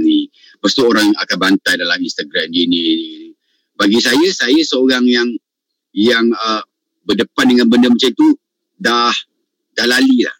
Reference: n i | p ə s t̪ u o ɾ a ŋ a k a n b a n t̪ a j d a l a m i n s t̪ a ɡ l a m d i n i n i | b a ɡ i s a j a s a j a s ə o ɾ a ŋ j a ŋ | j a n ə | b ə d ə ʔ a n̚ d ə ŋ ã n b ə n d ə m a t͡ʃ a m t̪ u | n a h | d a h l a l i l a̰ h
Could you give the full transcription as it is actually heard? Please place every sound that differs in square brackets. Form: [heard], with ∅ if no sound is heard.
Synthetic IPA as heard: n i | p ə s t̪ u o ɾ a ŋ a k a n b a n t̪ a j d a l a m i n s t̪ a ɡ [ɾ] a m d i n i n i | b a ɡ i s a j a s a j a s ə o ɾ a ŋ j a ŋ | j a [ŋ] ə | b ə d ə [p] a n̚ d ə ŋ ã n b ə n d ə m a t͡ʃ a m t̪ u | [d] a h | d a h l a l i l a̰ h